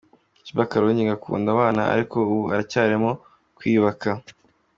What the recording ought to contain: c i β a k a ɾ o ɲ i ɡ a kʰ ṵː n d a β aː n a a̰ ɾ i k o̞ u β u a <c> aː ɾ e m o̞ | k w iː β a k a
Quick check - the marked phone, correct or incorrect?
correct